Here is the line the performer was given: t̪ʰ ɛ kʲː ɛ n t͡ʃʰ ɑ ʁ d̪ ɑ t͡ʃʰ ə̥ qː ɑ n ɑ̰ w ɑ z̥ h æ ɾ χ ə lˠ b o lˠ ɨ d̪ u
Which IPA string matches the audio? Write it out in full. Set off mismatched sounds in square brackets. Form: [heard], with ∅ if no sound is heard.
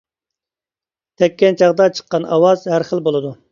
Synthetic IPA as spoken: t̪ʰ ɛ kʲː ɛ n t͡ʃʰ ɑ ʁ d̪ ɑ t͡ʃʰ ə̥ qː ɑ n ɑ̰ w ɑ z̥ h æ ɾ χ ə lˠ b o lˠ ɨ d̪ u